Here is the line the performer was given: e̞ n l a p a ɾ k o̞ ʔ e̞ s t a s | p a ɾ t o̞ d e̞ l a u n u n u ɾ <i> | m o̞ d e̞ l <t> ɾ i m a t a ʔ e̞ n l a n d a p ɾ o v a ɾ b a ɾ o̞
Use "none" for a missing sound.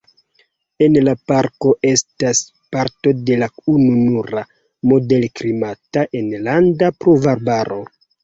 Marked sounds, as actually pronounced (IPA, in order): a, k

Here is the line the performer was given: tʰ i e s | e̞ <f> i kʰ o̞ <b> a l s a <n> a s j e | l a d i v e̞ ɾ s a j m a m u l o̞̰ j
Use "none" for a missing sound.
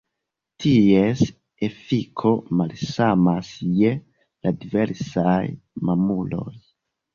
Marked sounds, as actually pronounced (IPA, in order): f, m, m

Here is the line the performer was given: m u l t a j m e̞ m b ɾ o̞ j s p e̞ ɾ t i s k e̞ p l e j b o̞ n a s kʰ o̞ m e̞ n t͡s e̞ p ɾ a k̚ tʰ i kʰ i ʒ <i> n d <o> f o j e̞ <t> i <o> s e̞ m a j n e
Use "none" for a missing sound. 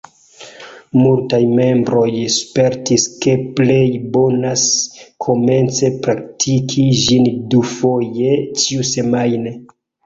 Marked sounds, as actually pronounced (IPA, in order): i, u, t͡ʃ, u

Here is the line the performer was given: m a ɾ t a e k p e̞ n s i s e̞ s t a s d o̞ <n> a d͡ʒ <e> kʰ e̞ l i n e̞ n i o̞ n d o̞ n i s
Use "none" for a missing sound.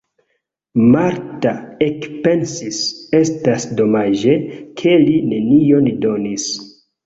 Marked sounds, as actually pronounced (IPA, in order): m, e

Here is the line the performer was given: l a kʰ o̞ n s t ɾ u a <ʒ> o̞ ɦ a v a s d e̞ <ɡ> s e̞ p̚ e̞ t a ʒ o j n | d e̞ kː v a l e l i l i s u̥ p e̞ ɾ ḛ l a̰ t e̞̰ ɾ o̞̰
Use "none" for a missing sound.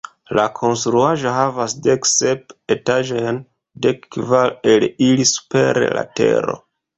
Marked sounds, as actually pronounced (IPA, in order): ʒ, k

